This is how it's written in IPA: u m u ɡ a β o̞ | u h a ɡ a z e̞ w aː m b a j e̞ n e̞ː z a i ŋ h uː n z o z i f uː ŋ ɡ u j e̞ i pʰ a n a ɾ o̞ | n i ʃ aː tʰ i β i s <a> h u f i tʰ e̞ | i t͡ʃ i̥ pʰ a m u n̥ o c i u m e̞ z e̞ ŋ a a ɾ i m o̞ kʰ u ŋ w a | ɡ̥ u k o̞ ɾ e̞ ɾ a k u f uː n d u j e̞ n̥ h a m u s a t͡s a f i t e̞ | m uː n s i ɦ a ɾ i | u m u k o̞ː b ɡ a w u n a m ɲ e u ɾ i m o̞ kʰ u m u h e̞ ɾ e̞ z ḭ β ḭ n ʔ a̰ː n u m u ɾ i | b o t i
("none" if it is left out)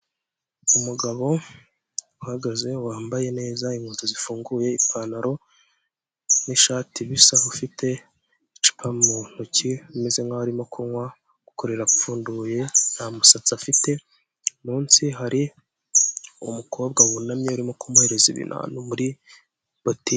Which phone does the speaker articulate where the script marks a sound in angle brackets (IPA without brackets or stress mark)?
a